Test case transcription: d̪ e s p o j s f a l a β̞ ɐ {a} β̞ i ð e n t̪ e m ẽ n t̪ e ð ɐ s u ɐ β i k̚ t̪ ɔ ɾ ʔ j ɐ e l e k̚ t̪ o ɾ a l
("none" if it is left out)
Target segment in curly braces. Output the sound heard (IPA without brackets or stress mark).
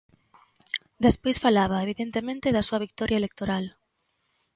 e